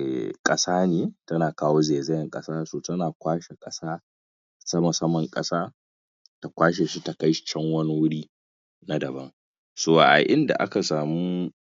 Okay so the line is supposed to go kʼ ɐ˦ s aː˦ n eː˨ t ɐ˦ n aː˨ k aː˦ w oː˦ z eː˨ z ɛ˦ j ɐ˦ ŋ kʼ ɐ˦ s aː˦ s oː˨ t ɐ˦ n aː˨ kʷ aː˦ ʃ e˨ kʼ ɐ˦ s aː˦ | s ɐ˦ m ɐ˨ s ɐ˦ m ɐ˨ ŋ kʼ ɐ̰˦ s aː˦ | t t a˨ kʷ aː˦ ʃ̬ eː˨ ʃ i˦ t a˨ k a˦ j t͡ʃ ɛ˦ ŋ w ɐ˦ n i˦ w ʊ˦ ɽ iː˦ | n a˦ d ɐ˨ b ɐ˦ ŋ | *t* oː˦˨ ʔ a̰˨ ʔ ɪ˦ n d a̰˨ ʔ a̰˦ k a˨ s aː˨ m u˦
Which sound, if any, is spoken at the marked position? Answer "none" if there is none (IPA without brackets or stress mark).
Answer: s